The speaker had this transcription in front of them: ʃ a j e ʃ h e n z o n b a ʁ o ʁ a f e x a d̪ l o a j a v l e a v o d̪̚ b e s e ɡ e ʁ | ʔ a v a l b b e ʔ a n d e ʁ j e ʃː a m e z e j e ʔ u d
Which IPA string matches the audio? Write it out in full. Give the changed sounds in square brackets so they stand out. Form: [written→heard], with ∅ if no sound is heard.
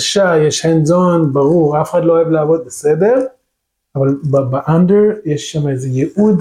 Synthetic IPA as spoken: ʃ a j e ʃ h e n z o n b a ʁ [o→u] ʁ a f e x a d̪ l o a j a v l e a v o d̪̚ b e s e [ɡ→d] e ʁ | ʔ a v a l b b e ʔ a n d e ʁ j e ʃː a m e z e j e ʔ u d